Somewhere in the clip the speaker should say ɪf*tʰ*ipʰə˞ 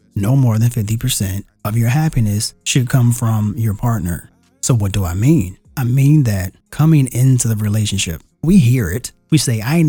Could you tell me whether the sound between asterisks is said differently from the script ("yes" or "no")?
yes